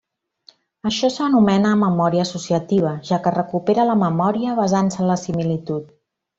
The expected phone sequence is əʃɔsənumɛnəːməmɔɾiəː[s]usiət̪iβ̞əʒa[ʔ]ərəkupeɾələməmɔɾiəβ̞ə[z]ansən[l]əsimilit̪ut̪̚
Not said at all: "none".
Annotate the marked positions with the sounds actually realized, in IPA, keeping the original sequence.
s, k, z, l

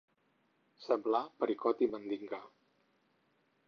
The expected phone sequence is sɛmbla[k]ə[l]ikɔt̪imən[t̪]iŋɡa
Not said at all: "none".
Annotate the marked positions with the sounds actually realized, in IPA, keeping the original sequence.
p, ɾ, d̪

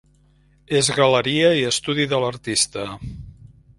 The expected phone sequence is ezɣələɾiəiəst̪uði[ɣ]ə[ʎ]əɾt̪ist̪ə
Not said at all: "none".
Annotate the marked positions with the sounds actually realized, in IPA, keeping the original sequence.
ð, l

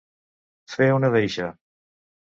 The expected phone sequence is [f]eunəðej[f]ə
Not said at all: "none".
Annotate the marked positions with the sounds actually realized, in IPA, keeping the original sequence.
f, ʃ

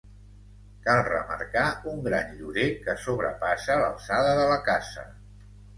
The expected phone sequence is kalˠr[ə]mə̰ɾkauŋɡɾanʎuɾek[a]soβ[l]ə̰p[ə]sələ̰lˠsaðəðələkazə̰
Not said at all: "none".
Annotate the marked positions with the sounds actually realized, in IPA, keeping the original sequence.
ə, ə, ɾ, a

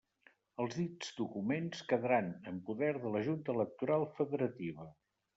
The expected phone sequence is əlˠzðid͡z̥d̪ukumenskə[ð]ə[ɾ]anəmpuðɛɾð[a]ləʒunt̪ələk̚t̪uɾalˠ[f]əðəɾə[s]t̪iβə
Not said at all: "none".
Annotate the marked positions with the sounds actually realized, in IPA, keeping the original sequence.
ð, ɾ, ə, f, none

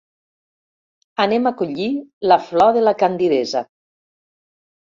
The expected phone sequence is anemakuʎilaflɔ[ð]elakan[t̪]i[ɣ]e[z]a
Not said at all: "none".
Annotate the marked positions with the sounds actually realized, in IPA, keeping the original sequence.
ð, d̪, ð, z

